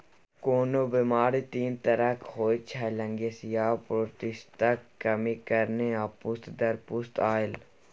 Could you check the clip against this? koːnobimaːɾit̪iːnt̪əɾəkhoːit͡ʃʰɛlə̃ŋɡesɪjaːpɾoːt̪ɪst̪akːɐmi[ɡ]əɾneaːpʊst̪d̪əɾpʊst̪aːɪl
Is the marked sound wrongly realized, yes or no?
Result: yes